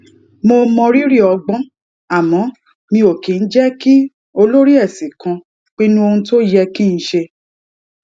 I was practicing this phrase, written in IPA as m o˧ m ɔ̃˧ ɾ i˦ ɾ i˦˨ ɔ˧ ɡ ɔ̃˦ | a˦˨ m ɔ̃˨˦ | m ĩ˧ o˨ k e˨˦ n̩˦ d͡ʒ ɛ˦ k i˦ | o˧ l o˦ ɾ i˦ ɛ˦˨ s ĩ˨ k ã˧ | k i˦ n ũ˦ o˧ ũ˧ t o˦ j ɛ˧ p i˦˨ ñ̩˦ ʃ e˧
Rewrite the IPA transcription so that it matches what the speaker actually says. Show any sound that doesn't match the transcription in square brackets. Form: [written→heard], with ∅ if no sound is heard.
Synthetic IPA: m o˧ m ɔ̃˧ ɾ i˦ ɾ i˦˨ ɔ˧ [ɡ→ɡ͡b] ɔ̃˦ | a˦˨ m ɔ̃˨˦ | m ĩ˧ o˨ k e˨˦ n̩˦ d͡ʒ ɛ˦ k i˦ | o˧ l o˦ ɾ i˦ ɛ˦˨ s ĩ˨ k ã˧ | [k→k͡p] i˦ n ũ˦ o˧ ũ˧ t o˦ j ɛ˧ [p→k] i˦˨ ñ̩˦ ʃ e˧